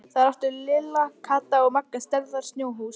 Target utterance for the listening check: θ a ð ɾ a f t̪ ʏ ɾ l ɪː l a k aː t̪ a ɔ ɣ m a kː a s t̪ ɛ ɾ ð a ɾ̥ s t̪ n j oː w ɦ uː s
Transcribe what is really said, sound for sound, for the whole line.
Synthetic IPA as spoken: θ a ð ɾ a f t̪ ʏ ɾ l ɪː l a kʰ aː t̪ a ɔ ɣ m a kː a s t̪ ɛ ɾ ð a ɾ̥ s t̪ n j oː w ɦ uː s